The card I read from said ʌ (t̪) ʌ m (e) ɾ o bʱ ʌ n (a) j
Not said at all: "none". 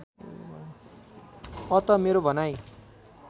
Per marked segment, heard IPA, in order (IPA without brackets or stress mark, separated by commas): t̪, e, a